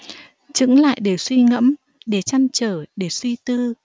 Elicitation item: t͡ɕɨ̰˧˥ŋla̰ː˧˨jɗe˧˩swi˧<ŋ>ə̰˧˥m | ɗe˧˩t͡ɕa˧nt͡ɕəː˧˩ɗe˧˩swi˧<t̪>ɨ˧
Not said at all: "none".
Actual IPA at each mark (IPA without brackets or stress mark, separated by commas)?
ŋ, t̪